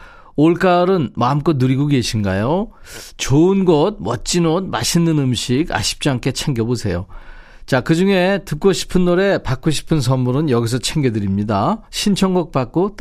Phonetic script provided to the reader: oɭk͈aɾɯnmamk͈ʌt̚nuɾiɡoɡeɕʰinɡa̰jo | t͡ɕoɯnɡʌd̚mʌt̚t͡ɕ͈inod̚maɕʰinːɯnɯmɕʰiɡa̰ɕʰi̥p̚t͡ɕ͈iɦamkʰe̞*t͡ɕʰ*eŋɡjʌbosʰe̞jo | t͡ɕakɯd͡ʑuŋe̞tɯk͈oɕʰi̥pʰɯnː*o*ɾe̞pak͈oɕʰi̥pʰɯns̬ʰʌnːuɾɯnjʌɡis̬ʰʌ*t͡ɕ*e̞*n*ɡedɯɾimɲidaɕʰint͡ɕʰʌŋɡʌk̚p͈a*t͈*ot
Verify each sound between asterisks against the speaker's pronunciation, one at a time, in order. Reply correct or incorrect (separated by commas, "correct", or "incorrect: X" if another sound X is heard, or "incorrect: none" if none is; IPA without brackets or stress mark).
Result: correct, correct, incorrect: t͡ɕʰ, incorrect: ŋ, incorrect: k͈